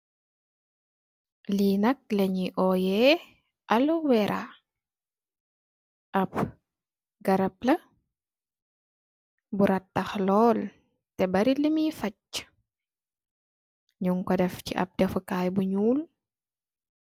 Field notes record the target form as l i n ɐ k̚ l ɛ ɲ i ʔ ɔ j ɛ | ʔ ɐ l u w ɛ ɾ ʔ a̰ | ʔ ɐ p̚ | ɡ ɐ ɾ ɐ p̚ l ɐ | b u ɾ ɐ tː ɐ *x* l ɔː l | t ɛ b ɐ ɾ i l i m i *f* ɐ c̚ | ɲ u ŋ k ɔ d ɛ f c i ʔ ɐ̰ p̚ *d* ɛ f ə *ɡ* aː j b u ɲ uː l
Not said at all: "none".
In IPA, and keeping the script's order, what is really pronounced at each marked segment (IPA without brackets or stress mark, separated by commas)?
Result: x, f, d, k